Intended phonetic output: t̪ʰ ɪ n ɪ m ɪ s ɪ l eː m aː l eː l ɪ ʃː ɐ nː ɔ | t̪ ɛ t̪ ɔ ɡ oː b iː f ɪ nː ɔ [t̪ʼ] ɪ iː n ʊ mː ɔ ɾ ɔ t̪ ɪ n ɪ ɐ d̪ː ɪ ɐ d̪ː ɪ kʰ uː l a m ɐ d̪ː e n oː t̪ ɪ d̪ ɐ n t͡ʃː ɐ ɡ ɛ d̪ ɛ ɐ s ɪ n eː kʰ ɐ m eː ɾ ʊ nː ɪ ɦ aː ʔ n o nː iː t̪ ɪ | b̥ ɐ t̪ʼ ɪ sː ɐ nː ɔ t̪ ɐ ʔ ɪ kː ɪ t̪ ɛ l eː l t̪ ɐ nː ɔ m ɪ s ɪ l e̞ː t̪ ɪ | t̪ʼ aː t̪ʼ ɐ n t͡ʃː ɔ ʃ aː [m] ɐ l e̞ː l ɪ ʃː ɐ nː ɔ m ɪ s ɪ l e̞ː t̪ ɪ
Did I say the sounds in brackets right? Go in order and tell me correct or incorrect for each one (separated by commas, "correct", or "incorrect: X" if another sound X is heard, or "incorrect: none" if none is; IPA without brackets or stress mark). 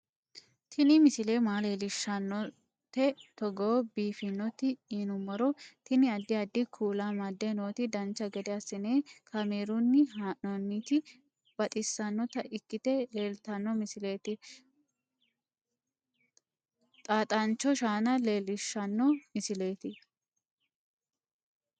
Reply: incorrect: t̪, incorrect: n